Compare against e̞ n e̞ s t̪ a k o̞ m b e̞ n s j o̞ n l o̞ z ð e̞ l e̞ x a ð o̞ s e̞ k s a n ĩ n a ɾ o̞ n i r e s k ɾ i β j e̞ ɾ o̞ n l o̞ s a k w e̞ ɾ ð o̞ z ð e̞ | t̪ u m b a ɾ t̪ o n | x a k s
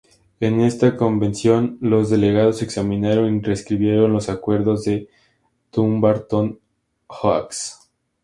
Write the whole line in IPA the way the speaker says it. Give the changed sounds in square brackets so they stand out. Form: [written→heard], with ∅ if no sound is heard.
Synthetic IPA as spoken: e̞ n e̞ s t̪ a k o̞ m b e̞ n s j o̞ n l o̞ z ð e̞ l e̞ [x→ɣ] a ð o̞ s e̞ k s a [n→m] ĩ n a ɾ o̞ n i r e s k ɾ i β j e̞ ɾ o̞ n l o̞ s a k w e̞ ɾ ð o̞ z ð e̞ | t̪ u m b a ɾ t̪ o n | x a k s